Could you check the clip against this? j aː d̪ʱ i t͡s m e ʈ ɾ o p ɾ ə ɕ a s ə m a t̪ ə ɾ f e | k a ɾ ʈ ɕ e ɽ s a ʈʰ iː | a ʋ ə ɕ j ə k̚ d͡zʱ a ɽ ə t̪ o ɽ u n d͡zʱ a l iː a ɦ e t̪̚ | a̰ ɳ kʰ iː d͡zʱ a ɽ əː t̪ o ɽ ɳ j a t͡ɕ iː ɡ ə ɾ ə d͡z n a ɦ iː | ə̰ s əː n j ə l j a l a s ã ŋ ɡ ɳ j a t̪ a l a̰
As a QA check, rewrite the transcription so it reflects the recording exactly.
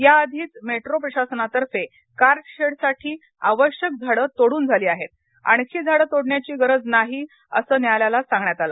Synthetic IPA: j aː d̪ʱ iː t͡s m e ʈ ɾ o p ɾ ə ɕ a s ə n a t̪ ə ɾ f e | k a ɾ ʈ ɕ e ɽ s a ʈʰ iː | a ʋ ə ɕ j ə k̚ d͡zʱ a ɽ ə t̪ o ɽ uː n d͡zʱ a l iː a ɦ e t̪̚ | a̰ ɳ kʰ iː d͡zʱ a ɽ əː t̪ o ɽ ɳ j a t͡ɕ iː ɡ ə ɾ ə d͡z n a ɦ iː | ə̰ s əː n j a l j a l a s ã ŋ ɡ ɳ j a t̪ a l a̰